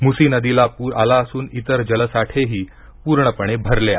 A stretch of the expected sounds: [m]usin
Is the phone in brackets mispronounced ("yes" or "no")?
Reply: no